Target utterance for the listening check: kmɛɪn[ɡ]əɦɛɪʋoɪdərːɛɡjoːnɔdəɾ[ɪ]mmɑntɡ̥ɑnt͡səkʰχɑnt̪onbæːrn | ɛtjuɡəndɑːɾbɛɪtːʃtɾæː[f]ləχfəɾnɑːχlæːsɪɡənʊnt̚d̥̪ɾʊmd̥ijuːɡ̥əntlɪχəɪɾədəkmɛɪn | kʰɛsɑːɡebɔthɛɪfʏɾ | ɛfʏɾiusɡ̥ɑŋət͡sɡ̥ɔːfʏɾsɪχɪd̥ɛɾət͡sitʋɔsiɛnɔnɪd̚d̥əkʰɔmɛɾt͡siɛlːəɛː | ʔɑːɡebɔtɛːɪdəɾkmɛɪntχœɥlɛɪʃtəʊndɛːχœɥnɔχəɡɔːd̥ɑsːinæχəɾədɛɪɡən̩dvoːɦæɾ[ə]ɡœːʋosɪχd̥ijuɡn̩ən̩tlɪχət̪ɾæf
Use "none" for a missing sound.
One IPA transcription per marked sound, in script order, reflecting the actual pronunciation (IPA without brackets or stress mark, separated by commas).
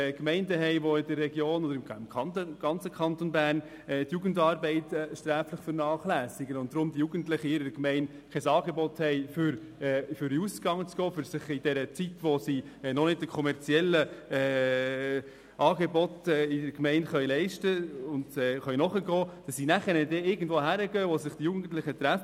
d, ɪ, f, ə